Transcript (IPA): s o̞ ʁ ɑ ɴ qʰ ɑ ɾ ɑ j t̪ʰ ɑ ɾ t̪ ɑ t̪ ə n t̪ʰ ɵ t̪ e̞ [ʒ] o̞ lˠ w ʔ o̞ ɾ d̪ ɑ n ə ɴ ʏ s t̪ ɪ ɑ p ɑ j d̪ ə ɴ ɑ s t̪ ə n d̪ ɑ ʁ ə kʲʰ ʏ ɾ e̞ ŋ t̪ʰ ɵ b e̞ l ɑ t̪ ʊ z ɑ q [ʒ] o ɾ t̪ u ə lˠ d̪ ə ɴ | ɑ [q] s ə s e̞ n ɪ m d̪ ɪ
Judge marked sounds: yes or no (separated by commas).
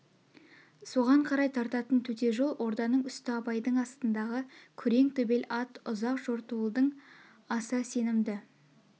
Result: yes, yes, no